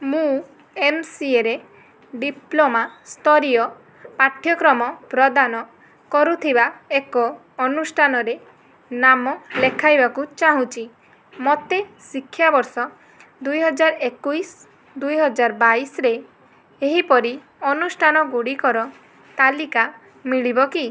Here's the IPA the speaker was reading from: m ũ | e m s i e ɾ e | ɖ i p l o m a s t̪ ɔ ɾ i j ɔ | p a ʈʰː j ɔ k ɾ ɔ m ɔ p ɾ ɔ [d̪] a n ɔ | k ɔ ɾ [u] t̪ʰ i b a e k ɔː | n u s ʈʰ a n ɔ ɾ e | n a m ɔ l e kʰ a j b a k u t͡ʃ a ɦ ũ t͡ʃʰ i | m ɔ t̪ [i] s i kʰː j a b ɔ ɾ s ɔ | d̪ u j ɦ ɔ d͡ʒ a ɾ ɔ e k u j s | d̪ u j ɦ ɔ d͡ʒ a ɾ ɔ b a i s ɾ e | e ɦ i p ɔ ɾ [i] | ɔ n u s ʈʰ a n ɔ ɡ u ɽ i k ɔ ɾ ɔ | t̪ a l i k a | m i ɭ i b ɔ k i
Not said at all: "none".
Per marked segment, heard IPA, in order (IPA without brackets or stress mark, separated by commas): d̪, u, e, i